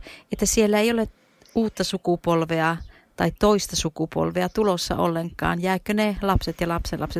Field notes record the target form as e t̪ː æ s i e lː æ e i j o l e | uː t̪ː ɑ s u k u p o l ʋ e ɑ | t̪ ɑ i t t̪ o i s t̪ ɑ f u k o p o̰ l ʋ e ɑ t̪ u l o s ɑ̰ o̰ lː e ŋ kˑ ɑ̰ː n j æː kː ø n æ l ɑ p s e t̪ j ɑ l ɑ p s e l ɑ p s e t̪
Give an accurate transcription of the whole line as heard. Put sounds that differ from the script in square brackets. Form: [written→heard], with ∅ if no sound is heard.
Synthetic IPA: e t̪ː æ s i e lː æ e i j o l e | uː t̪ː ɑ s u k u p o l ʋ e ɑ | t̪ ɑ i t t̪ o i s t̪ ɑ [f→s] u k [o→u] p o̰ l ʋ e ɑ t̪ u l o [s→sː] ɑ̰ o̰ lː e ŋ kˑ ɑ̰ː n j æː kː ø n [æ→e] l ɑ p s e t̪ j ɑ l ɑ p s e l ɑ p s e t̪